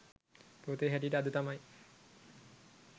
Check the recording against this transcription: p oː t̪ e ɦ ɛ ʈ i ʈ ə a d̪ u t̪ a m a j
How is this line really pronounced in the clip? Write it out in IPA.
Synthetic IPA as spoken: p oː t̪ e ɦ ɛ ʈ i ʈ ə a d̪ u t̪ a m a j

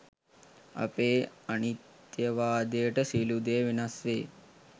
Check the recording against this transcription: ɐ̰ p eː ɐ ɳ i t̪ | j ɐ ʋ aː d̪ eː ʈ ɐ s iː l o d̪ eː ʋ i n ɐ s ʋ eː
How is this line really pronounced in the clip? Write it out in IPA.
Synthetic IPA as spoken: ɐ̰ p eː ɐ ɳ i t̪ | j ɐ ʋ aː d̪ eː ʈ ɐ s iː l u d̪ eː ʋ i n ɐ s ʋ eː

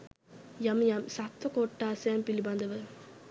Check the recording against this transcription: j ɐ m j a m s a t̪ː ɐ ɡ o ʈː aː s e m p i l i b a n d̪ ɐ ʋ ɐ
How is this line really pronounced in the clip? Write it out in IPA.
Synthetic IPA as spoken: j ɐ m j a m s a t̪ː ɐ k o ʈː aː s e m p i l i b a n d̪ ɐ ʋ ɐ

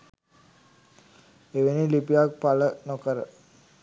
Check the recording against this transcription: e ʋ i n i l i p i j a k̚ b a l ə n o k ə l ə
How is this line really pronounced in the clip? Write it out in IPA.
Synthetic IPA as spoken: e ʋ e n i l i p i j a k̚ p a l ə n o k ə ɾ ə

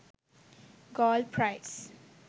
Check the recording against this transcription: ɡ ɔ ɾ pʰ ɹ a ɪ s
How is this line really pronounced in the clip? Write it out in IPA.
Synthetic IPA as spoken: ɡ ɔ l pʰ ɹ a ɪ s

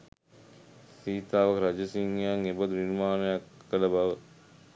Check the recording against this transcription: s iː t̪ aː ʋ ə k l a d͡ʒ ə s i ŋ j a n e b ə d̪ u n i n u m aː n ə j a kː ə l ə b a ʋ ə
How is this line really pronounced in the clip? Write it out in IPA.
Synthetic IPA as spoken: s iː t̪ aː ʋ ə k ɾ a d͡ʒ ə s i ŋ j a ŋ e b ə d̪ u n i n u m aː n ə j a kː ə l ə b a ʋ ə

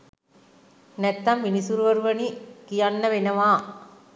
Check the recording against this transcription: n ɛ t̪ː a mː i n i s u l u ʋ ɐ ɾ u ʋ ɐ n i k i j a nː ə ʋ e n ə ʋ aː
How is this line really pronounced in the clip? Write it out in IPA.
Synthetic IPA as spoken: n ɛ t̪ː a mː i n i s u ɾ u ʋ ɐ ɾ u ʋ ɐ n i k i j a nː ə ʋ e n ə ʋ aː

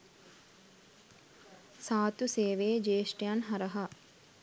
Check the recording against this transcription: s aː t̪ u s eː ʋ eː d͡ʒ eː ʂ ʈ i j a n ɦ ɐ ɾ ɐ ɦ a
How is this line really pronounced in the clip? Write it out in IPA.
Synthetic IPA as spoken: s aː t̪ u s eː ʋ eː d͡ʒ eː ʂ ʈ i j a n ɦ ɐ ɾ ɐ ɦ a

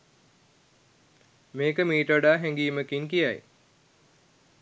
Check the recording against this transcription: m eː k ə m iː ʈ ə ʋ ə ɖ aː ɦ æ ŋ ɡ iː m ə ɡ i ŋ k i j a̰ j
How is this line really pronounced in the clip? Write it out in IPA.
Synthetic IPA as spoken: m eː k ə m iː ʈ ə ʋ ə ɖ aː ɦ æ ŋ ɡ iː m ə k i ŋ k i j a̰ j

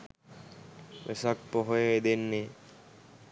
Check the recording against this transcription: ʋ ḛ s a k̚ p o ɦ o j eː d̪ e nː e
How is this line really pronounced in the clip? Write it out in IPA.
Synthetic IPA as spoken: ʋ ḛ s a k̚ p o ɦ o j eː d̪ e nː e

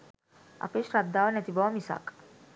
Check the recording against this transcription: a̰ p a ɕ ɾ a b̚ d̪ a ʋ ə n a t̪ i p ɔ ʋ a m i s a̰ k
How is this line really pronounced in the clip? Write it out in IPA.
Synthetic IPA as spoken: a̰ p e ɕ ɾ a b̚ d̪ a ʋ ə n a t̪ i b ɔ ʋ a m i s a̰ k

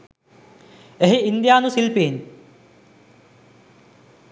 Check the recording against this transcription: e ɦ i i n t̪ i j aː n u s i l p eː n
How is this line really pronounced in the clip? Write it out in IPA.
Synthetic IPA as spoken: e ɦ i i n d̪ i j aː n u s i l p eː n

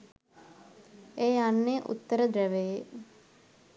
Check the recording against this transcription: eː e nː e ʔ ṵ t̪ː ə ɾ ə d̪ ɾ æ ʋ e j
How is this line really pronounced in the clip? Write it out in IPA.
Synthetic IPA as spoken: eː a nː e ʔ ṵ t̪ː ə ɾ ə d̪ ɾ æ ʋ e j

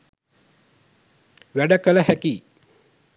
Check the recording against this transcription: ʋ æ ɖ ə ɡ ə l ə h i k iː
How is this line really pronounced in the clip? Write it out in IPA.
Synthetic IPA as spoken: ʋ æ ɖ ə k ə l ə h æ k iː

